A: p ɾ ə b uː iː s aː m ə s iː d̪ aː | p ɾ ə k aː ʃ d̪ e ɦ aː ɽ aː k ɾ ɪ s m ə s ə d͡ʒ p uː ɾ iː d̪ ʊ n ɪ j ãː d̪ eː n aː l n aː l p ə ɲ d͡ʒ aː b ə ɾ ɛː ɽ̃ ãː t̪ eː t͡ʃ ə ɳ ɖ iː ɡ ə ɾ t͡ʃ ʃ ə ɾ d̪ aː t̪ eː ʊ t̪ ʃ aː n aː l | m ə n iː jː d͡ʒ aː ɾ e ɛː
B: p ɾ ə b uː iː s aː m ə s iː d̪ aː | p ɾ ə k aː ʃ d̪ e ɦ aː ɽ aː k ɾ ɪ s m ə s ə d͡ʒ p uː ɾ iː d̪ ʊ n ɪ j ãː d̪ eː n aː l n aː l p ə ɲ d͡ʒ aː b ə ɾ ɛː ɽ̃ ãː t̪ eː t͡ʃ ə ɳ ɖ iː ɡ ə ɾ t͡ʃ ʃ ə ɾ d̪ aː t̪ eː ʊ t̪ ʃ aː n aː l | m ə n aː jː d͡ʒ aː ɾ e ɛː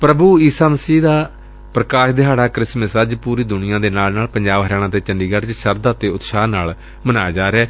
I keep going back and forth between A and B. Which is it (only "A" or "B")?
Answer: B